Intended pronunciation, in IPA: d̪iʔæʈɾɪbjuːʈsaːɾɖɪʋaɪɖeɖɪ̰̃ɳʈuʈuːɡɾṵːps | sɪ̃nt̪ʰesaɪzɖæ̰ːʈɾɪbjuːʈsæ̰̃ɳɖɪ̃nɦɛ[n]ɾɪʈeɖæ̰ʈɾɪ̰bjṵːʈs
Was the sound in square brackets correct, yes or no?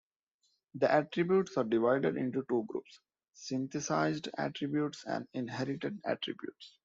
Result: no